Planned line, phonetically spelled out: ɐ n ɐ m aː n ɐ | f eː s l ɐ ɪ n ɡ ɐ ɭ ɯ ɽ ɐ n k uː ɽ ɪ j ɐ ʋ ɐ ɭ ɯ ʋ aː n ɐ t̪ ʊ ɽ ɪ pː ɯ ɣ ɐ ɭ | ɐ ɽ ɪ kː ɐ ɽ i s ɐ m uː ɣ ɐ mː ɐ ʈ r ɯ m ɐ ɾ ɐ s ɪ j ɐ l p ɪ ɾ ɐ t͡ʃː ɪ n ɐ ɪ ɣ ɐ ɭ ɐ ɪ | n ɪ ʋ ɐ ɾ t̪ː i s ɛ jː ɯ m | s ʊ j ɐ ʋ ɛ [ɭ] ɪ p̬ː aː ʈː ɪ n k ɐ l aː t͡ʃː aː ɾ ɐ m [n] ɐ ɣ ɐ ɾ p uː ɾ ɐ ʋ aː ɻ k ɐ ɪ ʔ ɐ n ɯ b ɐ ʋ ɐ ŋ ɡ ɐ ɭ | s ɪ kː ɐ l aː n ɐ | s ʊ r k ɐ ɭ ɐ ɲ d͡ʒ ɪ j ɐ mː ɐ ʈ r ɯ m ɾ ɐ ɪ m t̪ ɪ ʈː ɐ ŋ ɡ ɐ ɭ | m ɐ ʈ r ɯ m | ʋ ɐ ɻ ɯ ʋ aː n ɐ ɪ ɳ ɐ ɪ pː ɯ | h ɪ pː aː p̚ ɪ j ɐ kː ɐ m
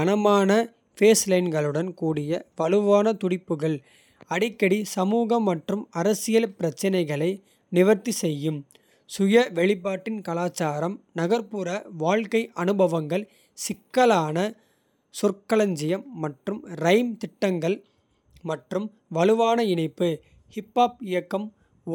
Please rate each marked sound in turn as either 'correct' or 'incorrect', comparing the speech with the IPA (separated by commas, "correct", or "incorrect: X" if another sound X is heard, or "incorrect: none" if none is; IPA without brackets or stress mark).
correct, correct